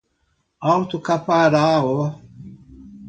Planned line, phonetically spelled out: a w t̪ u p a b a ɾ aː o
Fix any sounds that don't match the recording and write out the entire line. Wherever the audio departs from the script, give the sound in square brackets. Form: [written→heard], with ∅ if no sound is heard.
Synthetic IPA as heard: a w t̪ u [p→k] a [b→p] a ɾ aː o